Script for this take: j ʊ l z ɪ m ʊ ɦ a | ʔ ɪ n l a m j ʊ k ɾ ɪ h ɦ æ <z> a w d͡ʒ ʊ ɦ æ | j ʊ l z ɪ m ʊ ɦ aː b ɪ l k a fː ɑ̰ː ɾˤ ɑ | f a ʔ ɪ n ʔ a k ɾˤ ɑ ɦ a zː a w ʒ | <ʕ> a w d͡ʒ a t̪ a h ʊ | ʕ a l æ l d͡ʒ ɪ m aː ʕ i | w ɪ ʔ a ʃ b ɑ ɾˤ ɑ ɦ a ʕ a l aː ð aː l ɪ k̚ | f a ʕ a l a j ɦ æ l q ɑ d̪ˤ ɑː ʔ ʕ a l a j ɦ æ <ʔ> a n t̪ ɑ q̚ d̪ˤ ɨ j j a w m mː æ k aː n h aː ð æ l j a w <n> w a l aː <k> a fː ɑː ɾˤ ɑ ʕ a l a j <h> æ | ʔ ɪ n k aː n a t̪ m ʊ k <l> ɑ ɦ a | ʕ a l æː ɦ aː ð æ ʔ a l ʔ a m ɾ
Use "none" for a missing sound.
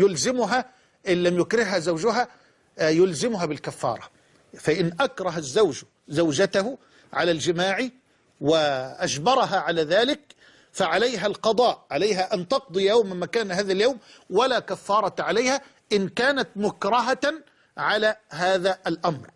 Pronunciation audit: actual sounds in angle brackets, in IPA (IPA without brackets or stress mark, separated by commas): z, z, ʔ, m, k, h, ɾ